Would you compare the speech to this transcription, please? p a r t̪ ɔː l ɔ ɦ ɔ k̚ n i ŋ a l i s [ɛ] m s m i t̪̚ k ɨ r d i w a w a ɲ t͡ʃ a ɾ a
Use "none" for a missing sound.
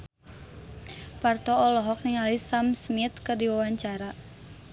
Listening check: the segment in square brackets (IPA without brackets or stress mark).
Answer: a